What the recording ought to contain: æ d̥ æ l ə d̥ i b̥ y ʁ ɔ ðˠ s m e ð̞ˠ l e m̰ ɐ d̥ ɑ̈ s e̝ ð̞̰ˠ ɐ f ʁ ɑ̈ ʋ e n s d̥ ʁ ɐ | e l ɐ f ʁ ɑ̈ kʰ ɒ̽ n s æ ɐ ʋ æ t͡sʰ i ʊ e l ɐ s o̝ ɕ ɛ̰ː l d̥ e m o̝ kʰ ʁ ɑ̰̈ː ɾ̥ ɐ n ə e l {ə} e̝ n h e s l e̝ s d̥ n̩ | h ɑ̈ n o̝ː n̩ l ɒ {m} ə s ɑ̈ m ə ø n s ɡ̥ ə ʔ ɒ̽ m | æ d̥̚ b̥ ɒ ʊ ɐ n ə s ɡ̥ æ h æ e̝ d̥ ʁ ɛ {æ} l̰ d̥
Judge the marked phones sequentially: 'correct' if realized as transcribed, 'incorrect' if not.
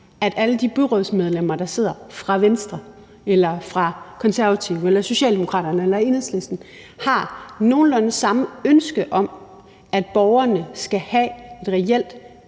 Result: incorrect, incorrect, incorrect

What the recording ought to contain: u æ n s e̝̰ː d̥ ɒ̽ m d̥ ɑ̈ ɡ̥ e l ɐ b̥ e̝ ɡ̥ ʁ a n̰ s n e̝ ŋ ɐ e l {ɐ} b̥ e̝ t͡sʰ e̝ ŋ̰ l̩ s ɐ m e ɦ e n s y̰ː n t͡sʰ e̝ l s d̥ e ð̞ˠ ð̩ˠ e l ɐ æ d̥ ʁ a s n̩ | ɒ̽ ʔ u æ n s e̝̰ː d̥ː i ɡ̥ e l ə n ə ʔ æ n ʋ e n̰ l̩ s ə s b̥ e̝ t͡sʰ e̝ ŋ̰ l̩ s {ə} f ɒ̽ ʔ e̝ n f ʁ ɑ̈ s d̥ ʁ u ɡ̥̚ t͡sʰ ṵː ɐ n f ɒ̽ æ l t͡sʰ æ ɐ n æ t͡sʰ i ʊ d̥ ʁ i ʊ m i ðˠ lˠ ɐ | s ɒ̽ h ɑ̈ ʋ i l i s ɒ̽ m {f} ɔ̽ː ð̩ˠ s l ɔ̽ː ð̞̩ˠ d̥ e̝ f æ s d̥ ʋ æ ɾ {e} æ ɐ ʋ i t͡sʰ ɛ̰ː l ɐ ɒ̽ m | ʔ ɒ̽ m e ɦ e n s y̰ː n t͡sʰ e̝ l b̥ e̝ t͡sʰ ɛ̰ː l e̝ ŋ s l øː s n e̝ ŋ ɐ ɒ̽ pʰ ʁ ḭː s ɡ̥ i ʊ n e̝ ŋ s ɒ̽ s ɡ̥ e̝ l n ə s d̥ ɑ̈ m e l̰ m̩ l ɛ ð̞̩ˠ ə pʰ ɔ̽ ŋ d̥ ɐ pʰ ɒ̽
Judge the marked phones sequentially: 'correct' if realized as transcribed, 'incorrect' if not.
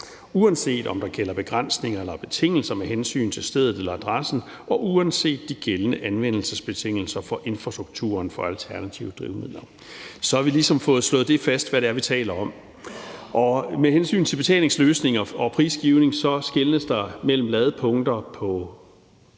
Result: correct, incorrect, correct, correct

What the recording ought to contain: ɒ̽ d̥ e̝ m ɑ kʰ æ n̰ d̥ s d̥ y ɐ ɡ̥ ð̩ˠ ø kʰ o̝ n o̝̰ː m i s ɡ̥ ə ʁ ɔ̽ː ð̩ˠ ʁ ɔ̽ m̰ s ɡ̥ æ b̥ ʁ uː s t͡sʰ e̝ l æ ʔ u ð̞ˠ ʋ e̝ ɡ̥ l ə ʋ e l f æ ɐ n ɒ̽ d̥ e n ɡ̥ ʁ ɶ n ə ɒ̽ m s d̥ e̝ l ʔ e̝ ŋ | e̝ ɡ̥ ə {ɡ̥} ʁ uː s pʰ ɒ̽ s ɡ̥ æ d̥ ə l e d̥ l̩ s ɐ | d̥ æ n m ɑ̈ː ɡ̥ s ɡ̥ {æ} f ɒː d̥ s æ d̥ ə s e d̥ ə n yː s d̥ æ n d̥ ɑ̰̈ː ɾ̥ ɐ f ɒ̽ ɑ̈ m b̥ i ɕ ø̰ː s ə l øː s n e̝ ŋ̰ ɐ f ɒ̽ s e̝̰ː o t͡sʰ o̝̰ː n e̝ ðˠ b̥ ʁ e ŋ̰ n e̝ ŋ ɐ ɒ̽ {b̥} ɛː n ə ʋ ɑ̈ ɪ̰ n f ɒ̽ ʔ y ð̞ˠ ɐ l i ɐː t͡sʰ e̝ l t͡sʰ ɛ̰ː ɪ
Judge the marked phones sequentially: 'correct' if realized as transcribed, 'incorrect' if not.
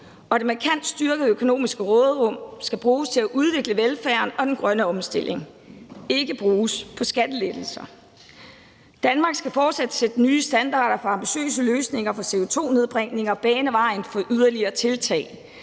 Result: incorrect, correct, correct

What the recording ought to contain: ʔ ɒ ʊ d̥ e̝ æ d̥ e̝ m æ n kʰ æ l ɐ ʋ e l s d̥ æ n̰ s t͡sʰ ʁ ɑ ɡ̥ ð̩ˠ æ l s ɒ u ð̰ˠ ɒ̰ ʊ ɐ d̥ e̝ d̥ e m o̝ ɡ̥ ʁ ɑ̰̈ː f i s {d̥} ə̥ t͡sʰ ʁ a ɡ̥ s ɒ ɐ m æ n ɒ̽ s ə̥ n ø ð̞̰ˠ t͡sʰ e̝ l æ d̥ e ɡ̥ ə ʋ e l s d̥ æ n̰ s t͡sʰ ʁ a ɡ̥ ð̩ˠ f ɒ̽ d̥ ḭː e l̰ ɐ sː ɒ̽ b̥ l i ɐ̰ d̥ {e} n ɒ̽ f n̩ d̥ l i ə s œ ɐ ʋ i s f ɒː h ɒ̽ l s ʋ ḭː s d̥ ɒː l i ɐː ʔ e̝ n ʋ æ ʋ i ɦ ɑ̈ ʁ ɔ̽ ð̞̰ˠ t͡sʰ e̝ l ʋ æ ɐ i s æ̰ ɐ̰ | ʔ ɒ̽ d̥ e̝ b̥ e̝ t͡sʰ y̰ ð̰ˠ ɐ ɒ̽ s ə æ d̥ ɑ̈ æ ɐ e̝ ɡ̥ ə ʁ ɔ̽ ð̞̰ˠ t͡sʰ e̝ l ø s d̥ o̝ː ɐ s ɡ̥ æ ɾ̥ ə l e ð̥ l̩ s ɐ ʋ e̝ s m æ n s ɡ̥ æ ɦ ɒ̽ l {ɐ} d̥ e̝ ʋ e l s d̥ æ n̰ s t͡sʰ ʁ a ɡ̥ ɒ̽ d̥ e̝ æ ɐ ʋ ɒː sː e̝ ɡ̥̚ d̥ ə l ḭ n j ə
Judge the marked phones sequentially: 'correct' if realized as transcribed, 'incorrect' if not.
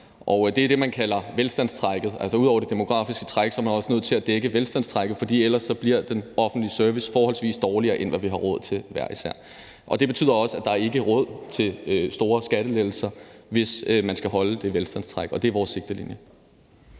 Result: incorrect, correct, incorrect

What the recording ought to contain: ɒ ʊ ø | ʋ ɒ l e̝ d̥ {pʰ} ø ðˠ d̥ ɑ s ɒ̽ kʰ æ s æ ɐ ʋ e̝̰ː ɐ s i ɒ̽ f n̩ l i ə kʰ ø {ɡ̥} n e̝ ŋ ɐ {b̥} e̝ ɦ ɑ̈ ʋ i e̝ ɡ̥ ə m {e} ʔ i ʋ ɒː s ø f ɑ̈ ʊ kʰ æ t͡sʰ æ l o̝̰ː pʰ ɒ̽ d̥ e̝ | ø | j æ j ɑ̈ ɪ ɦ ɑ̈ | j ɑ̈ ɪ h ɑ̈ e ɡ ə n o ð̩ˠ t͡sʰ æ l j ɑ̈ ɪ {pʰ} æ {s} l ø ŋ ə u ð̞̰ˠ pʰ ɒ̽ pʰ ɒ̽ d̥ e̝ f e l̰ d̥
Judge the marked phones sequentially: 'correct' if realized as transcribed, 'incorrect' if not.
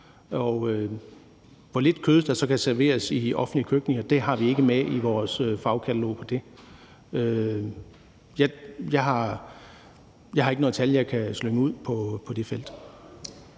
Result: incorrect, correct, incorrect, correct, incorrect, correct

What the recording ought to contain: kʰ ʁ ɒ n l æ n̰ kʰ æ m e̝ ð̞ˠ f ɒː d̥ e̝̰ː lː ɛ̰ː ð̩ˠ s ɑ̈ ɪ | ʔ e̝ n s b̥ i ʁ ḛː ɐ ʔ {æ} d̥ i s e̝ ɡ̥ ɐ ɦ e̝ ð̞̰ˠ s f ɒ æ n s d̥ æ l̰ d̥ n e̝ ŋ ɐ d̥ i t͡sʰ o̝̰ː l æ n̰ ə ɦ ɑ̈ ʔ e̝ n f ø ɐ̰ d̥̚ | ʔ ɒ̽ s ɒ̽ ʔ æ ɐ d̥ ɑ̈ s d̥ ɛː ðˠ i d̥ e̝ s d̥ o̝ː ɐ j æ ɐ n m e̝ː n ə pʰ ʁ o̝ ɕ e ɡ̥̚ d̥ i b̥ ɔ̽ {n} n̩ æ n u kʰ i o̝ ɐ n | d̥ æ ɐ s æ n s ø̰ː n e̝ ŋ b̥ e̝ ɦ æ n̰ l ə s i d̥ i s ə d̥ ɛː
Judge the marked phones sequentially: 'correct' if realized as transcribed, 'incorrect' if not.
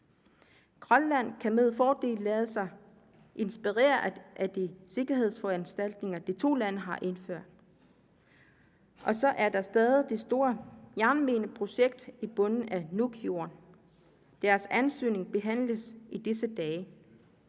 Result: correct, correct

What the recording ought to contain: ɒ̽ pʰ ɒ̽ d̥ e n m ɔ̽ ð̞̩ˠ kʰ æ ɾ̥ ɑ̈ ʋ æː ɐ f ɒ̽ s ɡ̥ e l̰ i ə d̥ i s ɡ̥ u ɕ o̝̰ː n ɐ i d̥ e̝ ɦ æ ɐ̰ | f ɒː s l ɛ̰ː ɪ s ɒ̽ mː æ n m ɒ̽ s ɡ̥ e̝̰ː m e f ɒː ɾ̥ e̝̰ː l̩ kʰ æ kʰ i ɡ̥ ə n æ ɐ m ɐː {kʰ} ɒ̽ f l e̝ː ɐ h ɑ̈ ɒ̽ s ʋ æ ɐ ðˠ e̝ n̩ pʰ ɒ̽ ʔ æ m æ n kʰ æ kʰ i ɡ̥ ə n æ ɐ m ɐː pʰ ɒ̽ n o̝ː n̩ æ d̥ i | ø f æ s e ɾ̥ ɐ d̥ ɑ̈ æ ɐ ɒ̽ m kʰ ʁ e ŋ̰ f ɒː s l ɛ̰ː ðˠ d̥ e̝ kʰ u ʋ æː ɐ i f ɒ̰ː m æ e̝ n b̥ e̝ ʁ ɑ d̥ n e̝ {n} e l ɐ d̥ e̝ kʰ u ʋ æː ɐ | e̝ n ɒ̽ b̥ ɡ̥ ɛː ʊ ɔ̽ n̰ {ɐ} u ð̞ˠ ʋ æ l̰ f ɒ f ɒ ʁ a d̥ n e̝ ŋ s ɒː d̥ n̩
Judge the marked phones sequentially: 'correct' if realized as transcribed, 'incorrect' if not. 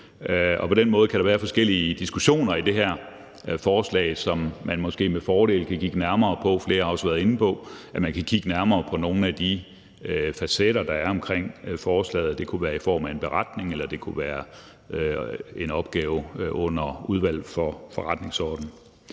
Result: incorrect, incorrect, correct

